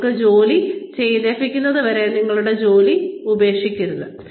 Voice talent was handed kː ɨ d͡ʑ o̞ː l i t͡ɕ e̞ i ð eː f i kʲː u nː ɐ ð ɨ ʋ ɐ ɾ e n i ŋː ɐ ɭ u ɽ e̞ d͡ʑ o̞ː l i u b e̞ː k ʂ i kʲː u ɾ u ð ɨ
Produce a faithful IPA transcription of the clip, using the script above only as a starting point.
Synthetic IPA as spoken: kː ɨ d͡ʑ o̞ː l i t͡ɕ e̞ j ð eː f i kʲː u nː ɐ ð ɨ ʋ ɐ ɾ e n i ŋː ɐ ɭ u ɽ e̞ d͡ʑ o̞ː l i u b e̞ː k ʂ i kʲː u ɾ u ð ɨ